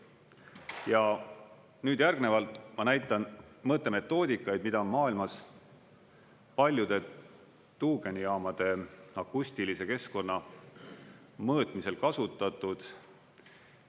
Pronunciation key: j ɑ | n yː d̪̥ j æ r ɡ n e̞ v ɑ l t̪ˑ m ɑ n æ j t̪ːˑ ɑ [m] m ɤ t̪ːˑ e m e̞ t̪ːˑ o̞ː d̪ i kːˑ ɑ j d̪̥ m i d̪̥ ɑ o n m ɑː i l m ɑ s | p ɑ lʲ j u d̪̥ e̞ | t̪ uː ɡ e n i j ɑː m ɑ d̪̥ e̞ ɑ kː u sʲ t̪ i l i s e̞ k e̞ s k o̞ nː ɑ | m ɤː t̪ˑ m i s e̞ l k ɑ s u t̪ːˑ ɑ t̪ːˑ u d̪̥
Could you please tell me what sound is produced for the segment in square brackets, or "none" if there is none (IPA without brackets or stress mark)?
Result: n